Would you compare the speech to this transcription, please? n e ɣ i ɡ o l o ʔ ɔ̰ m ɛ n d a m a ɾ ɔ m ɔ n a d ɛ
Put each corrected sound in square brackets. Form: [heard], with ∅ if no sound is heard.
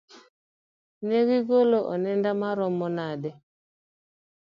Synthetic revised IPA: n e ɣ i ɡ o l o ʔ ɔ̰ [n] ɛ n d a m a ɾ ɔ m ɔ n a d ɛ